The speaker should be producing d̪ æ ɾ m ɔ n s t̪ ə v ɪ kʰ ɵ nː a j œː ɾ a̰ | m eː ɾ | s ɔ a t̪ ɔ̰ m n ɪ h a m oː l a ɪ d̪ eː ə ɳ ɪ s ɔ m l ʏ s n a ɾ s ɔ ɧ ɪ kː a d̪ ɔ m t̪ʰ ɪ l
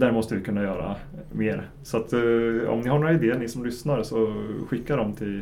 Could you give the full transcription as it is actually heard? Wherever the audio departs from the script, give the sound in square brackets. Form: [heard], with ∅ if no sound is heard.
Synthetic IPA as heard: d̪ æ ɾ m ɔ [∅] s t̪ ə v ɪ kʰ ɵ nː a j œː ɾ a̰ | m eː ɾ | s ɔ a t̪ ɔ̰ m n ɪ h a [ɳ] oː [ɾ] a ɪ d̪ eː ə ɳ ɪ s ɔ m l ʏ s n a ɾ s ɔ ɧ ɪ kː a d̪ ɔ m t̪ʰ ɪ l